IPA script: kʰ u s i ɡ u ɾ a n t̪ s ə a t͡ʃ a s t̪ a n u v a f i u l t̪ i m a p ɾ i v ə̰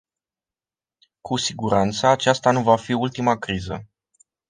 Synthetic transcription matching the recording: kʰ u s i ɡ u ɾ a n t̪ s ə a t͡ʃ a s t̪ a n u v a f i u l t̪ i m a k ɾ i z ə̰